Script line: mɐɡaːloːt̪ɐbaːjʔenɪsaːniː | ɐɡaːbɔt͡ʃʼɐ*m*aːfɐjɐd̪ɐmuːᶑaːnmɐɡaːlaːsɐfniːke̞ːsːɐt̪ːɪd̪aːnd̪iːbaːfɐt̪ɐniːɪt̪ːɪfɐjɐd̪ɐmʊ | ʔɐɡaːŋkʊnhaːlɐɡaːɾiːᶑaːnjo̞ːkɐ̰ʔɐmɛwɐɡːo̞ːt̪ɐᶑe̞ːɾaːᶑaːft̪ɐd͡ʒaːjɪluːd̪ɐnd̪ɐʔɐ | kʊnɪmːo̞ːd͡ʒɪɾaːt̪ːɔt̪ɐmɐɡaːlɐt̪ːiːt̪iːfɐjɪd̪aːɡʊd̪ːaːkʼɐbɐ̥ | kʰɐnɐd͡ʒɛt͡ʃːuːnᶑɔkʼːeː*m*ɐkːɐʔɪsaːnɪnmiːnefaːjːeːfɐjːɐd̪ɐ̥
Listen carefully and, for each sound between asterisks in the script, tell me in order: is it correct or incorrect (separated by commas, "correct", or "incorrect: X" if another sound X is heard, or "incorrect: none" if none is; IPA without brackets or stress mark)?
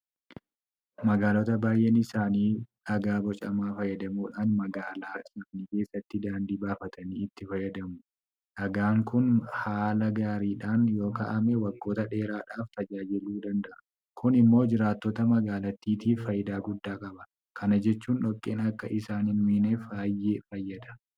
correct, incorrect: n